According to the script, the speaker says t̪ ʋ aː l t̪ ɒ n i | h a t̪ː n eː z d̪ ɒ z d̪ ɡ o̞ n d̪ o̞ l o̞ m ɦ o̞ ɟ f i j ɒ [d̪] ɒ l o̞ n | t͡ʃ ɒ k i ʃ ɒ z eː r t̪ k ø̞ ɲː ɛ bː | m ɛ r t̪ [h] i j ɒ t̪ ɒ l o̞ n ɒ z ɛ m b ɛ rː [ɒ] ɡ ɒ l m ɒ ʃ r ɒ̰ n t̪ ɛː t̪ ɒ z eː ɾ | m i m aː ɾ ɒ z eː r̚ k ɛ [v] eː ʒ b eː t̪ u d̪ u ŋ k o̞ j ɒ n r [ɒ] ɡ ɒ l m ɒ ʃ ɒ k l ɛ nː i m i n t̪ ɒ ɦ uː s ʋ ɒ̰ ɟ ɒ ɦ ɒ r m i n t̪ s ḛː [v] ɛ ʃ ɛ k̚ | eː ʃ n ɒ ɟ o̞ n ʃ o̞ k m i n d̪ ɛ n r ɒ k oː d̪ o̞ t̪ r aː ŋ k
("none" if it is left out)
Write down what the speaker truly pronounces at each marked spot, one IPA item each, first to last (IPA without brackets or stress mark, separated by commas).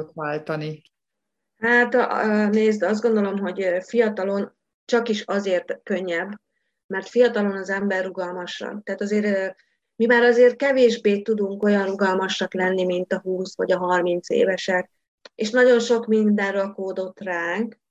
t̪, f, u, v, u, v